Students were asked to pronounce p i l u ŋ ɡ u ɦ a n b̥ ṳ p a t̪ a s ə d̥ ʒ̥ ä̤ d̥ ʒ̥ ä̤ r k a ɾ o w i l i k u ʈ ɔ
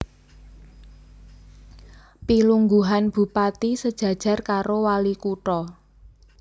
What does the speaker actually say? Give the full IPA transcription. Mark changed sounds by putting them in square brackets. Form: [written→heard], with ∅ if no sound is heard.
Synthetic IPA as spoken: p i l u ŋ ɡ u ɦ a n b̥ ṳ p a t̪ [a→i] s ə d̥ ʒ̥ ä̤ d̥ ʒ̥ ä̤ r k a ɾ o w [i→a] l i k u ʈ ɔ